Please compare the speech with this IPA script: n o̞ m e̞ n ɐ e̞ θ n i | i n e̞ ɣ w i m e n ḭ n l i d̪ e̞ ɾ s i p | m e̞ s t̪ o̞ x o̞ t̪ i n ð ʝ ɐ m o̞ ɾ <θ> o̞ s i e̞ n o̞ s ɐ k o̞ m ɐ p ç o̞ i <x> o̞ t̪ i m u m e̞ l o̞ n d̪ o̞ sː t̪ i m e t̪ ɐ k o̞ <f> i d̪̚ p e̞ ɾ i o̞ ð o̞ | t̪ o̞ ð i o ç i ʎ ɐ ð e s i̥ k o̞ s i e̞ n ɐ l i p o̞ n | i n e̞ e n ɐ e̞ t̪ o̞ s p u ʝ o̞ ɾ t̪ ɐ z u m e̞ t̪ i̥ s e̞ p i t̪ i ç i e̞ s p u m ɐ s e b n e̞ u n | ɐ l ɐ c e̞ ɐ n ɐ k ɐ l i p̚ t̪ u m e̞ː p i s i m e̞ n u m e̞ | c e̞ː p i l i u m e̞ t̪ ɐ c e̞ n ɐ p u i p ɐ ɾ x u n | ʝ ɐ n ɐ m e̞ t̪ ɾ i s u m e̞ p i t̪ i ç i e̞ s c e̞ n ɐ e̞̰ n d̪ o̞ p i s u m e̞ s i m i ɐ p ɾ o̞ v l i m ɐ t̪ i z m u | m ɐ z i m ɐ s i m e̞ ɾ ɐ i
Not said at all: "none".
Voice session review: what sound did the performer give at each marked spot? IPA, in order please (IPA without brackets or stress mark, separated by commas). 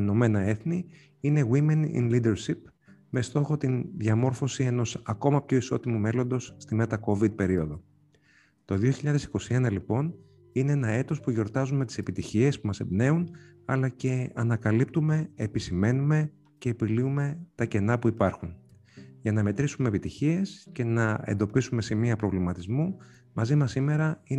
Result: f, s, v